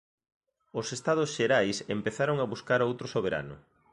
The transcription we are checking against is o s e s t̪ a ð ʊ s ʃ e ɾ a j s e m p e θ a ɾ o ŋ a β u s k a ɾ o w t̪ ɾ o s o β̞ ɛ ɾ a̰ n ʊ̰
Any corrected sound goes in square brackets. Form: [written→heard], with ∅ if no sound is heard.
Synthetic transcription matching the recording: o s e s t̪ a ð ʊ s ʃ e ɾ a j s e m p e θ a ɾ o ŋ a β u s k a ɾ o w t̪ ɾ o s o β̞ [ɛ→e] ɾ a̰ n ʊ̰